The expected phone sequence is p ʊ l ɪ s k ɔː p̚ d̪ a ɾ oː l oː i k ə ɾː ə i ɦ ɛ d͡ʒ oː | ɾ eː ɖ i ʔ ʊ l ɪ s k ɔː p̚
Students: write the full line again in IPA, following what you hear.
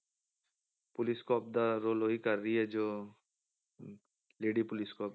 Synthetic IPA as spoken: p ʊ l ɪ s k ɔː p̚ d̪ a ɾ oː l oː i k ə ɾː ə i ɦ ɛ d͡ʒ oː | l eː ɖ i p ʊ l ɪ s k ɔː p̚